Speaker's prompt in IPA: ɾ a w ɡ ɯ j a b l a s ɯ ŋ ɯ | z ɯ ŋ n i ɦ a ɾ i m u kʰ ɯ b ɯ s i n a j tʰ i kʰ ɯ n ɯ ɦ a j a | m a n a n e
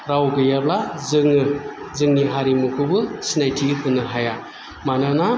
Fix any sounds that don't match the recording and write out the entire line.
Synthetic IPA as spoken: ɾ a w ɡ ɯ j a b l a z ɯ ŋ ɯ | z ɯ ŋ n i ɦ a ɾ i m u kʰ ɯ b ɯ s i n a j tʰ i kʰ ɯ n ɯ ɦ a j a | m a n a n a